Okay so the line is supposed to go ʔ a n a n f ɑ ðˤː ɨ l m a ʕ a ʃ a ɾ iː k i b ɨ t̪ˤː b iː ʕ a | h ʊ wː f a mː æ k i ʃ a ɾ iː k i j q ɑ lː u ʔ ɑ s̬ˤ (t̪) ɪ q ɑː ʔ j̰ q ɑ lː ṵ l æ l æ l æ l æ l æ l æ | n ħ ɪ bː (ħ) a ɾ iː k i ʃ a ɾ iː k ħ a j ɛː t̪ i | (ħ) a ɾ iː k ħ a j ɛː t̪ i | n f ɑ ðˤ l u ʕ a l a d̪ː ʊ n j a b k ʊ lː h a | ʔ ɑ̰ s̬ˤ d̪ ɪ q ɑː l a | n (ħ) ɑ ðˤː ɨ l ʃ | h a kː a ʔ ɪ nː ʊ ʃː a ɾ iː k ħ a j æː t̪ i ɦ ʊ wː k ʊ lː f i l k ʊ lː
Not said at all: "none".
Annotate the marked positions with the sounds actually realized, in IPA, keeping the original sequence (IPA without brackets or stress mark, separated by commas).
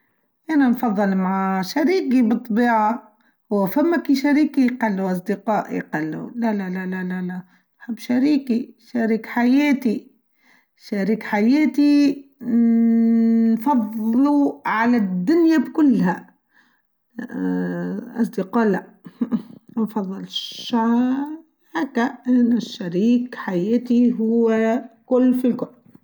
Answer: d̪, ʃ, ʃ, f